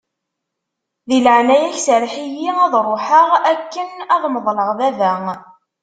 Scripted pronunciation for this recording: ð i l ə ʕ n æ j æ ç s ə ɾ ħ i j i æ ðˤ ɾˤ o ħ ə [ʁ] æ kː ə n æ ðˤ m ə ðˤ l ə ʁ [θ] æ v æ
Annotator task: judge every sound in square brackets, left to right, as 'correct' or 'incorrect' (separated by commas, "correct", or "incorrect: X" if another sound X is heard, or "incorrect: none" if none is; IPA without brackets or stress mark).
correct, incorrect: ð